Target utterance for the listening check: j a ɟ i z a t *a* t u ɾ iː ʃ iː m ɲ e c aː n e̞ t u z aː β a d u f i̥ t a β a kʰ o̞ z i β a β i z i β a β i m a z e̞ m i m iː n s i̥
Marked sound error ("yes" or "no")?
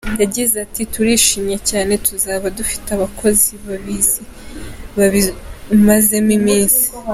yes